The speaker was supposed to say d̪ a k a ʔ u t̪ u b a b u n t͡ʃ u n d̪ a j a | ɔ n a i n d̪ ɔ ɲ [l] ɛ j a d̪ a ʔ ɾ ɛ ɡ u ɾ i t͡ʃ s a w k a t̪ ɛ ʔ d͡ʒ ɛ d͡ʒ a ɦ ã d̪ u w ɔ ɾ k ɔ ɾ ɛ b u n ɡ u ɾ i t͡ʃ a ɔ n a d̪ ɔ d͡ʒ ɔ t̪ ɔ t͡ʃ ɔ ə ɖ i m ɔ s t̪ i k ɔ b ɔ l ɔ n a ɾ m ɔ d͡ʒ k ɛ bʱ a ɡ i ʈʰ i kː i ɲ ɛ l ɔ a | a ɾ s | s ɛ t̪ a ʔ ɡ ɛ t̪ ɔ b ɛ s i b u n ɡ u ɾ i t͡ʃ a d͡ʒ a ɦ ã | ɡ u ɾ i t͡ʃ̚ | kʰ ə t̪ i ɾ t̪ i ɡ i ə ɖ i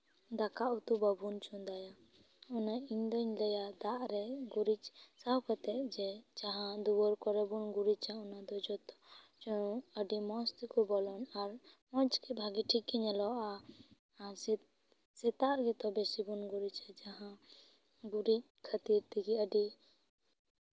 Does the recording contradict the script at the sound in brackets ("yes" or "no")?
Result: no